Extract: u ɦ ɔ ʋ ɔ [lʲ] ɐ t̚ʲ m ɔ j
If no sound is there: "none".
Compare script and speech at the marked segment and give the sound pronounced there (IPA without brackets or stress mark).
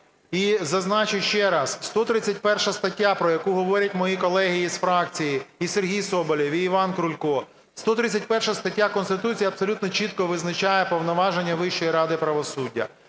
ɾʲ